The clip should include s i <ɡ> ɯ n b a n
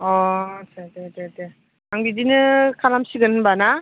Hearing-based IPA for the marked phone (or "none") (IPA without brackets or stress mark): ɡ